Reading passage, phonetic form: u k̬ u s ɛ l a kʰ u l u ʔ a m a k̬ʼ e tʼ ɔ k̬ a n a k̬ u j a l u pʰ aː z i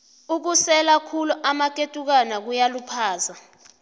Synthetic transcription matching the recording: u k̬ u s ɛ l a kʰ u l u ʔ a m a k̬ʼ e tʼ u k̬ a n a k̬ u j a l u pʰ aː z a